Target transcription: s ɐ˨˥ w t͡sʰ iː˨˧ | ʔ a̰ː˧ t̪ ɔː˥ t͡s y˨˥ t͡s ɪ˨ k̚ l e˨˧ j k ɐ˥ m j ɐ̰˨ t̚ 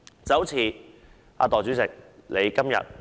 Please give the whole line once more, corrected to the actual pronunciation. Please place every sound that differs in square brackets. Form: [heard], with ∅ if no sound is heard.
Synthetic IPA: [t͡s] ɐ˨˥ w t͡sʰ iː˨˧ | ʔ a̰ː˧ t̪ [ɔː˨˩] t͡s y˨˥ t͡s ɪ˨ k̚ l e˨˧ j k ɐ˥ m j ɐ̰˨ t̚